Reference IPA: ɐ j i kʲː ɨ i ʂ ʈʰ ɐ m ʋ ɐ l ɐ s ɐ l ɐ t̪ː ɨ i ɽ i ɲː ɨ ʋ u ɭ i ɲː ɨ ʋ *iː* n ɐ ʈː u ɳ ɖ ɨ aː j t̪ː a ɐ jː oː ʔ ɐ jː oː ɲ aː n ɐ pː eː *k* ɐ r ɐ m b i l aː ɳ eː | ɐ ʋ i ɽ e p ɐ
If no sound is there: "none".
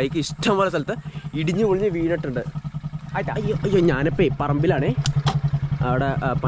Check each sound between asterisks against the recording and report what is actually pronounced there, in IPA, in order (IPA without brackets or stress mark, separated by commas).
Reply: iː, p